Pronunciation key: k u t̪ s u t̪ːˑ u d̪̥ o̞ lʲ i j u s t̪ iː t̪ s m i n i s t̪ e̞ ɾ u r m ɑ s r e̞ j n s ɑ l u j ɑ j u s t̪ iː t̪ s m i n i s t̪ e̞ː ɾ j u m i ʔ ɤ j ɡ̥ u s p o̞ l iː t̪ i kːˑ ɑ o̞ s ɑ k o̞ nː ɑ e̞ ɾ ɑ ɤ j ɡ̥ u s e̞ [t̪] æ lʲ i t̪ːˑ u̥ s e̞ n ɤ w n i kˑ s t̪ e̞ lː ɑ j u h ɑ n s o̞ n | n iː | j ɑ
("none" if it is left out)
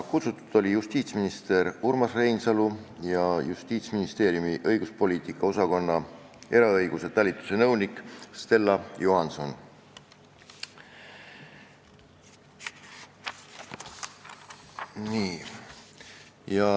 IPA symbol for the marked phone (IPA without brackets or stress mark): t̪